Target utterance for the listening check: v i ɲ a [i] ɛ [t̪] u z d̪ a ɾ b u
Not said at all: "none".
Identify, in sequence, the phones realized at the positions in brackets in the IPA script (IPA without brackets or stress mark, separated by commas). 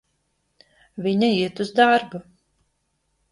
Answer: i, t̪